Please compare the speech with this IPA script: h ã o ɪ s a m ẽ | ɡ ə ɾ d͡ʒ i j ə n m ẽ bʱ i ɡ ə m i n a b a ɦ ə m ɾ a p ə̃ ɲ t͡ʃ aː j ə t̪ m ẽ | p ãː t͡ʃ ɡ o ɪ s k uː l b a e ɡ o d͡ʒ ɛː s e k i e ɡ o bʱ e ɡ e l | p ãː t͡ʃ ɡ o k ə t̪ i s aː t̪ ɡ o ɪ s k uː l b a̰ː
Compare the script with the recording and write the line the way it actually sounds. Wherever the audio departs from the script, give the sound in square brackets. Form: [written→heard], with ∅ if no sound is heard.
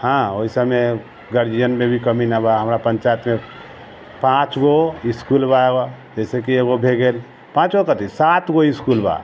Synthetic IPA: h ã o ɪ s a m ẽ | ɡ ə ɾ d͡ʒ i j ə n m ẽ bʱ i [ɡ→k] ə m i n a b a ɦ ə m ɾ a p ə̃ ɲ t͡ʃ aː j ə t̪ m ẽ | p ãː t͡ʃ ɡ o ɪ s k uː l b a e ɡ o d͡ʒ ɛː s e k i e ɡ o bʱ e ɡ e l | p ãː t͡ʃ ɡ o k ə t̪ i s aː t̪ ɡ o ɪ s k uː l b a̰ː